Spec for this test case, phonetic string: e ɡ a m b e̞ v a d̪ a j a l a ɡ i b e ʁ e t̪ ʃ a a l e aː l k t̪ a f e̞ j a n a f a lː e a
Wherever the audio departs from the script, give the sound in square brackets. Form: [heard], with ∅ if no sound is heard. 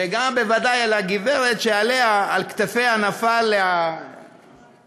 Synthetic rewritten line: e ɡ a m b e̞ v a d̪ a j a l a ɡ i [v] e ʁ e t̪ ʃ [e] a l e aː l k t̪ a f e̞ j a n a f a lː e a